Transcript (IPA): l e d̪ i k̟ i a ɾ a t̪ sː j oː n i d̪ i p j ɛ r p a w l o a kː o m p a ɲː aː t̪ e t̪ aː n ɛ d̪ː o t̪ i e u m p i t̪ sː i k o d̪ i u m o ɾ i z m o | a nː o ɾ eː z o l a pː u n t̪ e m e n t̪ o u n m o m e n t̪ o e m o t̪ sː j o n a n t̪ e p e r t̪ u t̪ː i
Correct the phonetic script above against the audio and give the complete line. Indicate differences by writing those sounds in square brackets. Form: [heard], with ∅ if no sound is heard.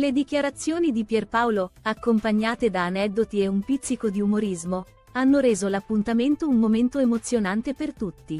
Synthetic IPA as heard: l e d̪ i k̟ [j] a ɾ a t̪ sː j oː n i d̪ i p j ɛ r p a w l o a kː o m p a ɲː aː t̪ e [d̪] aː n ɛ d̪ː o t̪ i e u m p i t̪ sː i k o d̪ i u m o ɾ i z m o | a nː o ɾ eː z o l a pː u n t̪ [a] m e n t̪ o u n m o m e n t̪ o e m o t̪ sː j o n a n t̪ e p e r t̪ u t̪ː i